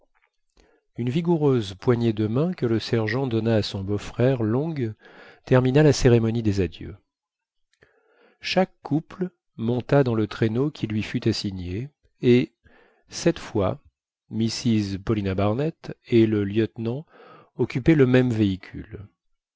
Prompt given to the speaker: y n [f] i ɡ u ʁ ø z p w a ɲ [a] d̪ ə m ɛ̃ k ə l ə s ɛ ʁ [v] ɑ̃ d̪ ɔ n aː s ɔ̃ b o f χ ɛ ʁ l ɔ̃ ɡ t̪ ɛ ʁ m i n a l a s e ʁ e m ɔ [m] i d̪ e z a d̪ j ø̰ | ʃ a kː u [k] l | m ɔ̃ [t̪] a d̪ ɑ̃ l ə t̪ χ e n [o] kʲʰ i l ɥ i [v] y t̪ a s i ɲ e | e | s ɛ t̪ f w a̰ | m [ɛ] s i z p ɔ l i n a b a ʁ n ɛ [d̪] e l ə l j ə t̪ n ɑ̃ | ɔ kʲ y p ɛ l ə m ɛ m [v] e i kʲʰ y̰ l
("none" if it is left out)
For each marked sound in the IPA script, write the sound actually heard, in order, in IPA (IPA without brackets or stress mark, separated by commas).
v, e, ʒ, n, p, t̪, o, f, i, t̪, v